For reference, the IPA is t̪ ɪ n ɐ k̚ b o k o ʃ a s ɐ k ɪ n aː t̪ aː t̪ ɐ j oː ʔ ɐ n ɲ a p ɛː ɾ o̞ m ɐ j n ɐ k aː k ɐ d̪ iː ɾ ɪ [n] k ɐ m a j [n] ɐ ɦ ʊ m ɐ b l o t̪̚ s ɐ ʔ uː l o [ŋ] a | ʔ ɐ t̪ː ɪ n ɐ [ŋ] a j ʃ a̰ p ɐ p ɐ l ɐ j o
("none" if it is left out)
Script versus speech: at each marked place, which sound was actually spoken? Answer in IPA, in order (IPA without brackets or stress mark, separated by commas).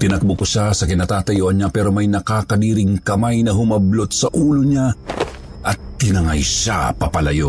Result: ŋ, n, ɲ, ŋ